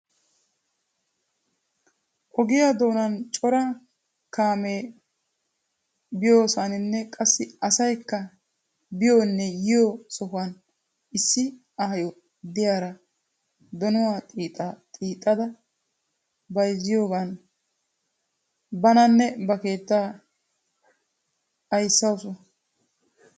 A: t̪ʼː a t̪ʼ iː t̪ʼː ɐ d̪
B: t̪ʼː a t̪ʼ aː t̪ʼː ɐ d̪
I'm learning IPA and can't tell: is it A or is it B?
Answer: A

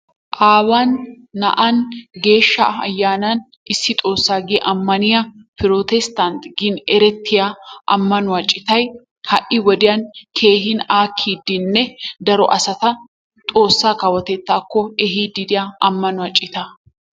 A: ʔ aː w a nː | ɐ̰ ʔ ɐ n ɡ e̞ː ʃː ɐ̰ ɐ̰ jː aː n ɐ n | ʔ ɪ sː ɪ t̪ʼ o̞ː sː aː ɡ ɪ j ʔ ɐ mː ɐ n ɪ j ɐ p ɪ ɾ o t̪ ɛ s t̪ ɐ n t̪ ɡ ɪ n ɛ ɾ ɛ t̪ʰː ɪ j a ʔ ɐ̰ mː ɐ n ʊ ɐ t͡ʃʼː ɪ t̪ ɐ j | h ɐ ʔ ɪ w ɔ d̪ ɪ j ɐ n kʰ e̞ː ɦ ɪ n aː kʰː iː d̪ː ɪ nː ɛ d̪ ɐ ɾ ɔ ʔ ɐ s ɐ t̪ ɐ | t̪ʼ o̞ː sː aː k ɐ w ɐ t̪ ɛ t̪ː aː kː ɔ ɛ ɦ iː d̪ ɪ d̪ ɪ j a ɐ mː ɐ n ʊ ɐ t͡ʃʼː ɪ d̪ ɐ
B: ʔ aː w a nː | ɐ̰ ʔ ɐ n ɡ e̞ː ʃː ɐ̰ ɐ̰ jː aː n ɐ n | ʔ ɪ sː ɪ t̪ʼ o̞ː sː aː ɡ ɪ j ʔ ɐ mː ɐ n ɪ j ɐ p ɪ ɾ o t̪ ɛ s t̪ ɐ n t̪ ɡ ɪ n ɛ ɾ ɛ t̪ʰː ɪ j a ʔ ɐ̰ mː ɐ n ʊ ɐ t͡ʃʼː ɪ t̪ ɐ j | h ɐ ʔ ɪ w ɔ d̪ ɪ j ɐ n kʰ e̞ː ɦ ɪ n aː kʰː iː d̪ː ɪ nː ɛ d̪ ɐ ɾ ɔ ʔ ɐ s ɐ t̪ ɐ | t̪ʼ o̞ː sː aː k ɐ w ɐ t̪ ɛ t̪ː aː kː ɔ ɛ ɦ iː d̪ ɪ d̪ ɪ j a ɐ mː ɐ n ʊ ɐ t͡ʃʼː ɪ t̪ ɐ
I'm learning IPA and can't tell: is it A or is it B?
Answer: B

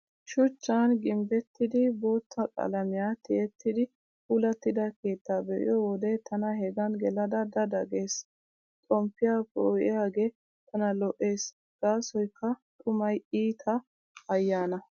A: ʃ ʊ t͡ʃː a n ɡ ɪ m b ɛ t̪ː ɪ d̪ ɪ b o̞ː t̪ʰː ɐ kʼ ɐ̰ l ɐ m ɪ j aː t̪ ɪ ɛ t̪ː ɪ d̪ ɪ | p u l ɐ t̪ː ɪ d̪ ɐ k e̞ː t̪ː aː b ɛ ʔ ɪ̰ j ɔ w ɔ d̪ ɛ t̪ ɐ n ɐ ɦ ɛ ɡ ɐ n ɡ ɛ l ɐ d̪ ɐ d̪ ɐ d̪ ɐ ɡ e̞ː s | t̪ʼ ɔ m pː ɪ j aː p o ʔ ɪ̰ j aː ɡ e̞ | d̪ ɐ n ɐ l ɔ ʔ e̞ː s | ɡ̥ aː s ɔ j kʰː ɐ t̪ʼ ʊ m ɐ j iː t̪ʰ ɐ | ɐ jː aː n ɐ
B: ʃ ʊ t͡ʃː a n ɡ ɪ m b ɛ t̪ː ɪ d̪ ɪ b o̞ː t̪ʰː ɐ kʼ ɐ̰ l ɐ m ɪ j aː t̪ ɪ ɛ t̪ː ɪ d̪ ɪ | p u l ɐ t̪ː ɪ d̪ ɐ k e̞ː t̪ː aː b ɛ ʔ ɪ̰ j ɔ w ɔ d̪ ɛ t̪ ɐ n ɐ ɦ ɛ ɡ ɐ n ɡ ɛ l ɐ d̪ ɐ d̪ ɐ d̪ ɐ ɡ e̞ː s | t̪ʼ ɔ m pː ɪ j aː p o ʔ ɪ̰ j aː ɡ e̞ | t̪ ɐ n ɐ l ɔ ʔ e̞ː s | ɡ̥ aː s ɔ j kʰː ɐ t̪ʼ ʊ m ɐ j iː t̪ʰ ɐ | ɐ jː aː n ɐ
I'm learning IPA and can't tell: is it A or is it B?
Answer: B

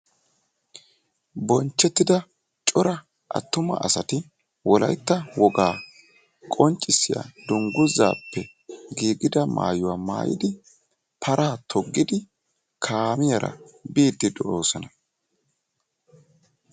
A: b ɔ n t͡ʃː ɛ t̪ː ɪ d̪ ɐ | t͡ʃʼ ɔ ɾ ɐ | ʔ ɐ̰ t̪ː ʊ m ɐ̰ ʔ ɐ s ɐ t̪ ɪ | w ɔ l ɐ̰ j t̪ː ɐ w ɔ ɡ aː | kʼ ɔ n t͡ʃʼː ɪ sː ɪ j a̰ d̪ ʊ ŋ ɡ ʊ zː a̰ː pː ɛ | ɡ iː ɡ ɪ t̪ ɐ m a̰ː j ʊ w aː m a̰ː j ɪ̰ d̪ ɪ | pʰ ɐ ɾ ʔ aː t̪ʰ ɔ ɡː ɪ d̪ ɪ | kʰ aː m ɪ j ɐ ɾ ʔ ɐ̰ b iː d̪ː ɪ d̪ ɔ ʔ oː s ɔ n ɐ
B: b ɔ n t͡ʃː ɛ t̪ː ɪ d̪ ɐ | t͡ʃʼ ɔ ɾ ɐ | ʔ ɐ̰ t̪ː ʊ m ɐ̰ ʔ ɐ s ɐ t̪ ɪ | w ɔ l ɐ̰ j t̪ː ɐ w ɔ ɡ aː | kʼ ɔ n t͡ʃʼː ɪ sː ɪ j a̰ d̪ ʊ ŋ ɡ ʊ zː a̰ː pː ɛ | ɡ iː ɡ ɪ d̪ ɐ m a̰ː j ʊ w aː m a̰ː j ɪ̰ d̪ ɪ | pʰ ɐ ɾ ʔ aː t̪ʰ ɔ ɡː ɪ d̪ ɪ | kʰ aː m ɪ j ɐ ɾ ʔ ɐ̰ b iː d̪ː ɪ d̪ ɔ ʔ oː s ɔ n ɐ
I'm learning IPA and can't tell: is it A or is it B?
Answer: B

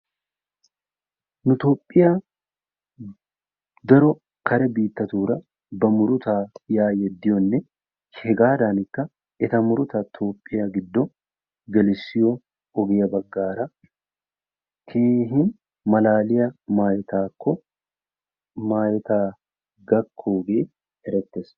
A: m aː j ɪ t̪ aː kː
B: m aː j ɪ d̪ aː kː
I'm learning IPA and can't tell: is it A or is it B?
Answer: A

